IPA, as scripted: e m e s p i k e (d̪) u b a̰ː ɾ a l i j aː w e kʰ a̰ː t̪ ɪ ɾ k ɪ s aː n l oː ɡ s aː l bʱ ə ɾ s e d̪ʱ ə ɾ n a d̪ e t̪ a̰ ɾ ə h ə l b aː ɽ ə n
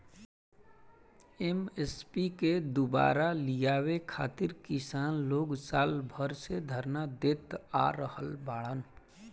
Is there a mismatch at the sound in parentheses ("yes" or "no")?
no